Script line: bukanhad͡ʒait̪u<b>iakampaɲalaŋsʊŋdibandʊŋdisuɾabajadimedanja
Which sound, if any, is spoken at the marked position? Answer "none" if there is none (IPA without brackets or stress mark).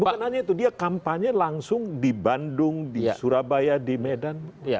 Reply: d